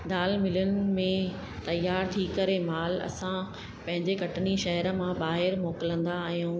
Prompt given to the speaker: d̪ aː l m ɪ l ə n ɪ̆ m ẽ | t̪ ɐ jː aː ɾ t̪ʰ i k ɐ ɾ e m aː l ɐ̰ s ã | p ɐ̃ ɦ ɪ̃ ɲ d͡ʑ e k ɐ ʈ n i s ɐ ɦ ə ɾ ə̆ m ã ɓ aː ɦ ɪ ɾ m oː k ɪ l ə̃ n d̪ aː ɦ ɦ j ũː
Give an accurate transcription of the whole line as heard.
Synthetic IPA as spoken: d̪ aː l m ɪ l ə n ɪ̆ m ẽ | t̪ ɐ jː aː ɾ t̪ʰ i k ɐ ɾ e m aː l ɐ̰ s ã | p ɐ̃ ɦ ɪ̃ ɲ d͡ʑ e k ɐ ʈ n i ʃ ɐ ɦ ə ɾ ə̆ m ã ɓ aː ɦ ɪ ɾ m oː k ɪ l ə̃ n d̪ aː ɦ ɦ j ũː